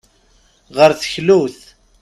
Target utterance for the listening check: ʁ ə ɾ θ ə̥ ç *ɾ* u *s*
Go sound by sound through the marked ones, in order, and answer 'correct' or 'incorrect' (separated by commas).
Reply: incorrect, incorrect